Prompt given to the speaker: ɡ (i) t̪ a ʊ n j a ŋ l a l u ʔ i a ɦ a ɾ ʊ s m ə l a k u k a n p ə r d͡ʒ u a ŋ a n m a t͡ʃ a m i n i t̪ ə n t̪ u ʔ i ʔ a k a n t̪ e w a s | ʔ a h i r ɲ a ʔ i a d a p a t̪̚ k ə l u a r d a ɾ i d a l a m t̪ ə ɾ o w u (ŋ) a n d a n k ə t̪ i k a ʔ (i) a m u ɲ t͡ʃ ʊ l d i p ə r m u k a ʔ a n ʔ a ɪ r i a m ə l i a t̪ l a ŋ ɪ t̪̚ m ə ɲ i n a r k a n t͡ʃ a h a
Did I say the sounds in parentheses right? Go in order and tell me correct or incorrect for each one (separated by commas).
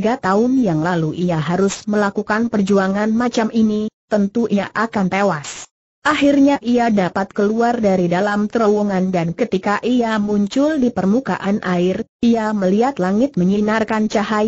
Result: incorrect, correct, correct